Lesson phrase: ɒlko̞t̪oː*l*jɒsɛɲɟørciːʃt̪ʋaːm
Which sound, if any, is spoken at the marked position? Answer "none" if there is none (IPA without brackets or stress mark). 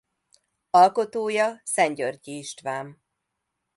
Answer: none